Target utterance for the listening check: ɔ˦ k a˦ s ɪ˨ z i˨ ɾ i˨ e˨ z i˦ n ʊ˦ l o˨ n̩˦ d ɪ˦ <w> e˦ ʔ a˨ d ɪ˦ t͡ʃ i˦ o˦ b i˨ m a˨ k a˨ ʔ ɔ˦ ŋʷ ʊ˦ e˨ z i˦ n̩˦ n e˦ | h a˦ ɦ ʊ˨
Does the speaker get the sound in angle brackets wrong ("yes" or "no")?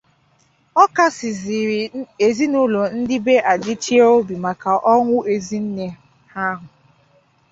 yes